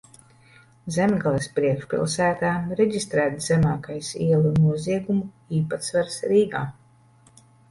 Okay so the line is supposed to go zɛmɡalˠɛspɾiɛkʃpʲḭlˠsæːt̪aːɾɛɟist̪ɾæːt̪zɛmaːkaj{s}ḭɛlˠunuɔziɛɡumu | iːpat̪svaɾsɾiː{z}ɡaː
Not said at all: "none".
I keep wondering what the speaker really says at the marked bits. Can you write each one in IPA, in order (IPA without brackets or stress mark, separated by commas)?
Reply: s, none